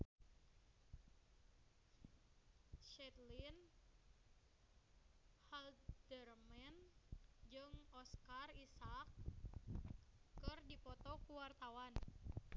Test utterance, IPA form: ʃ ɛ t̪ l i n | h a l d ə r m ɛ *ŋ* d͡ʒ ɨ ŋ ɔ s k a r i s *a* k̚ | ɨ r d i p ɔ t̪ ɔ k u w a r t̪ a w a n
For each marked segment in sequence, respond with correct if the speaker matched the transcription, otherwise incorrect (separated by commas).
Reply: incorrect, correct